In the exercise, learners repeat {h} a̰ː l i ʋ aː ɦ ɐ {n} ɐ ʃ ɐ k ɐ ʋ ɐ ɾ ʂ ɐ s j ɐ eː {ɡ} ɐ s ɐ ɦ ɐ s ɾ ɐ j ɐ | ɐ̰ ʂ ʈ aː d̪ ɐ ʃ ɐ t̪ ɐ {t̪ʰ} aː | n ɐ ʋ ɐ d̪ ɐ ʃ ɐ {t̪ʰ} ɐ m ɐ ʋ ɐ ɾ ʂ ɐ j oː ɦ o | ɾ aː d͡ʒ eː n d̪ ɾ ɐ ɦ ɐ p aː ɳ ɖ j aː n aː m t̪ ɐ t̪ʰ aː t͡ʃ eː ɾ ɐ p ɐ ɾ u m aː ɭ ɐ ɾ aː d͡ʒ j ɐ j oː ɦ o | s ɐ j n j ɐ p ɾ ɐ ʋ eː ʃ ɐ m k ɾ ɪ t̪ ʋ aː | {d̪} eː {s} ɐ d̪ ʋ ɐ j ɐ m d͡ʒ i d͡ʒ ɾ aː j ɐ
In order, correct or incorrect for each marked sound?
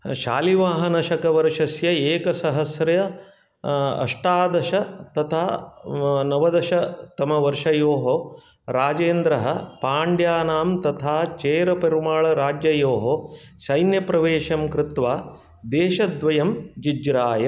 incorrect: ʃ, correct, incorrect: k, correct, incorrect: t̪, correct, incorrect: ʃ

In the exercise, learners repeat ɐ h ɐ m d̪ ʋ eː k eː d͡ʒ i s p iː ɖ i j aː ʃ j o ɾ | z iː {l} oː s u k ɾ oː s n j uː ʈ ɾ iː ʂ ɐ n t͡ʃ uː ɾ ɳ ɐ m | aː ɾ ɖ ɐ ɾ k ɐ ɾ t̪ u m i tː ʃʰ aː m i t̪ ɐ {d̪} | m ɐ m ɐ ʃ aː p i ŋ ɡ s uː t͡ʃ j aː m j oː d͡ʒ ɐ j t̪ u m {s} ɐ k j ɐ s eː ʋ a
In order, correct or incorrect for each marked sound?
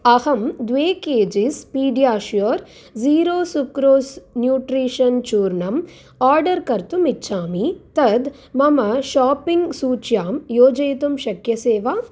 incorrect: ɾ, correct, incorrect: ʃ

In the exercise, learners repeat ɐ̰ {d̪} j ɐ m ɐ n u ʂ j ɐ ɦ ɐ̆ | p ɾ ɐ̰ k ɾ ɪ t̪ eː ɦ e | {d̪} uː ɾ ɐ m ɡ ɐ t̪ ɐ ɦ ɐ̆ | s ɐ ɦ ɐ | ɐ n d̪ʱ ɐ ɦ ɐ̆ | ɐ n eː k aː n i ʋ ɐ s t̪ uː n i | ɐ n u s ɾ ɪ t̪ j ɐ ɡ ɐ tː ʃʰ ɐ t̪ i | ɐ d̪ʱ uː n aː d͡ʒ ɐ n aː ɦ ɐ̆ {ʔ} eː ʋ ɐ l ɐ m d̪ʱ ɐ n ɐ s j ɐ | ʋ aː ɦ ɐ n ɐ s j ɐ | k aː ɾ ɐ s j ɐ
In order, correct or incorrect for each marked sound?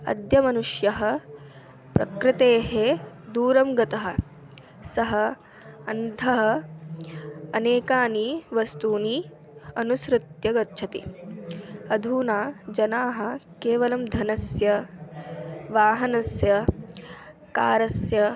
correct, correct, incorrect: k

